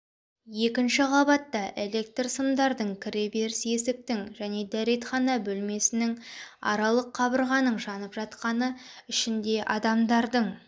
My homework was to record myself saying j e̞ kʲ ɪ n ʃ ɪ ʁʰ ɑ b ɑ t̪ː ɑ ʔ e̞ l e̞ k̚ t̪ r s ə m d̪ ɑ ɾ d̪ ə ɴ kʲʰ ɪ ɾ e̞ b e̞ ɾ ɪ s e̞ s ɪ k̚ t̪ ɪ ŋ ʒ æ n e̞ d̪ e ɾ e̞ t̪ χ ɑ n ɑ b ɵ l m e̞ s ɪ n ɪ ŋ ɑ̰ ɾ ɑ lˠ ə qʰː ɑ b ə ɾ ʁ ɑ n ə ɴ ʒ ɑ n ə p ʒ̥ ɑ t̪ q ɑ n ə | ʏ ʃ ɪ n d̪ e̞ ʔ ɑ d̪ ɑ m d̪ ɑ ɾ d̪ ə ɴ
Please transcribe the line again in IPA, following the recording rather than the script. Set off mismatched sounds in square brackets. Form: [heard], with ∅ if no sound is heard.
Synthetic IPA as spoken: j e̞ kʲ ɪ n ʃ ɪ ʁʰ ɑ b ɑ t̪ː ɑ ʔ e̞ l e̞ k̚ t̪ r s ə m d̪ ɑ ɾ d̪ ə ɴ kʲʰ ɪ ɾ e̞ b e̞ ɾ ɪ s e̞ s ɪ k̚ t̪ ɪ ŋ ʒ æ n e̞ d̪ [æ] ɾ e̞ t̪ χ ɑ n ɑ b ɵ l m e̞ s ɪ n ɪ ŋ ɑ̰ ɾ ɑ lˠ ə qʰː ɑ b ə ɾ ʁ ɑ n ə ɴ ʒ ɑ n ə p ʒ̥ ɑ t̪ q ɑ n ə | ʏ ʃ ɪ n d̪ e̞ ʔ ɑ d̪ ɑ m d̪ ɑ ɾ d̪ ə ɴ